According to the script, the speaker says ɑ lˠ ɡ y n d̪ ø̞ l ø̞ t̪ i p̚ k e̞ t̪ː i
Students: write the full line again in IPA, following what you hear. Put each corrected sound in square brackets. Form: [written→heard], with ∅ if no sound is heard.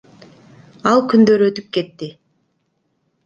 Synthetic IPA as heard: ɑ lˠ [ɡ→k] y n d̪ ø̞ [l→ɾ] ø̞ t̪ [i→y] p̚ k e̞ t̪ː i